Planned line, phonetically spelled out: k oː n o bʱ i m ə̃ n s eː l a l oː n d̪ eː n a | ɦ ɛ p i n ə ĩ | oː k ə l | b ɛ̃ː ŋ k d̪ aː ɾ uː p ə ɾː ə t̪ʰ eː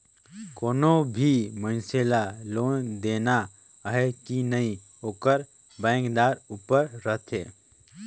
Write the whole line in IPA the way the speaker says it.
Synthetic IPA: k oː n o bʱ i m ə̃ n s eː l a l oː n d̪ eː n a | ɦ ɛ k i n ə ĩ | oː k ə ɾ | b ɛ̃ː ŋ k d̪ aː ɾ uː p ə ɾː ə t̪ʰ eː